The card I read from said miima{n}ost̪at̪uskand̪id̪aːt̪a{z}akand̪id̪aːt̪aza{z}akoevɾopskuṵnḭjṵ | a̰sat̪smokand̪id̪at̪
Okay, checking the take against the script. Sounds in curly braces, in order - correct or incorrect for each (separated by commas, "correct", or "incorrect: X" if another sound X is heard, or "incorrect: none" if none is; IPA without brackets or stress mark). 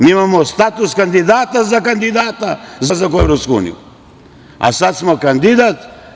incorrect: m, correct, correct